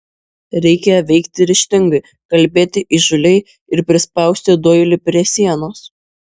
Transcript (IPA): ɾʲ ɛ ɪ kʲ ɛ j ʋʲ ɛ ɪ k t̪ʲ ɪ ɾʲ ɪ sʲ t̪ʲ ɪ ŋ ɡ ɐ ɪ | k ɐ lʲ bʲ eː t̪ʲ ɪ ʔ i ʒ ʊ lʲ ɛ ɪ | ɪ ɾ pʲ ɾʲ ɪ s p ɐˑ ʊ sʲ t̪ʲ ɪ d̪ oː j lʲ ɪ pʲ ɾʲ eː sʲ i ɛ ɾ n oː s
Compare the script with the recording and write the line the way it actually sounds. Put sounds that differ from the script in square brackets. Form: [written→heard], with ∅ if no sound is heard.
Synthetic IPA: ɾʲ ɛ ɪ kʲ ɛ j ʋʲ ɛ ɪ k t̪ʲ ɪ ɾʲ ɪ [sʲ→ʃʲ] t̪ʲ ɪ ŋ ɡ ɐ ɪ | k ɐ lʲ bʲ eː t̪ʲ ɪ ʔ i ʒ ʊ lʲ ɛ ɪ | ɪ ɾ pʲ ɾʲ ɪ s p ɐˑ ʊ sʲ t̪ʲ ɪ d̪ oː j lʲ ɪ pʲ ɾʲ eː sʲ i ɛ [ɾ→∅] n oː s